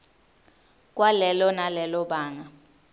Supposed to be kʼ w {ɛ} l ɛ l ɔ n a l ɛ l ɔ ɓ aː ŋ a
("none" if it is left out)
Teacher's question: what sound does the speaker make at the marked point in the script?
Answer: a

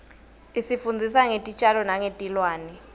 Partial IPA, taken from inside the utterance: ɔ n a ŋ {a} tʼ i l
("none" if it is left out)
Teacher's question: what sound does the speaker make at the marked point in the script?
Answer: e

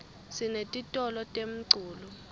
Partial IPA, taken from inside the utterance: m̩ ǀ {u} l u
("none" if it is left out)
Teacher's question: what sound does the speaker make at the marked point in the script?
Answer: uː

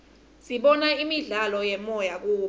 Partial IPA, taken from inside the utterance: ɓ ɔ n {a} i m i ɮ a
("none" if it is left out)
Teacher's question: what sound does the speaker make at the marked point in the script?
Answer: a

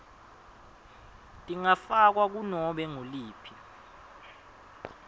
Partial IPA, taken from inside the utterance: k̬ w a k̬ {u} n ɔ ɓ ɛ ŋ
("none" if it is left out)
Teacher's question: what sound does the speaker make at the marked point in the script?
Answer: u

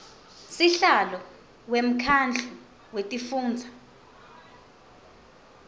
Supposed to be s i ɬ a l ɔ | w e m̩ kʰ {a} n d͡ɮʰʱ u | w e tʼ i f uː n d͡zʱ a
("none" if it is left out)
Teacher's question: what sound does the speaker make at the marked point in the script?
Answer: a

